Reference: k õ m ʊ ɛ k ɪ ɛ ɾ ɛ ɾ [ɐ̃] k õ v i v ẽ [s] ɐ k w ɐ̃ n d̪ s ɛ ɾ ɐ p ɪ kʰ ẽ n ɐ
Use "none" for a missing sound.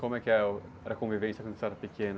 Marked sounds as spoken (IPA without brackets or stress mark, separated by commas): ɐ, s